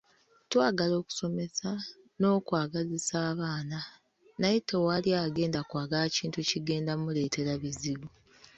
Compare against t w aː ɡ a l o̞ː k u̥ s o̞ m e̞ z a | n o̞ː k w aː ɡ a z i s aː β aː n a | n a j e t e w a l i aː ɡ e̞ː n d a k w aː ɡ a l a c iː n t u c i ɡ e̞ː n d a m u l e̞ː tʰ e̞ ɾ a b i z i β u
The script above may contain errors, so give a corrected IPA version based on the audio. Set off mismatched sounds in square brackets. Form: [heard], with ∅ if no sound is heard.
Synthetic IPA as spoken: t w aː ɡ a l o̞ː k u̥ s o̞ m e̞ [s] a | n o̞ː k w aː ɡ a z i s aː β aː n a | n a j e t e w a l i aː ɡ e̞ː n d a k w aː ɡ a l a c iː n t u c i ɡ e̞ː n d a m u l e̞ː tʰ e̞ ɾ a [β] i z i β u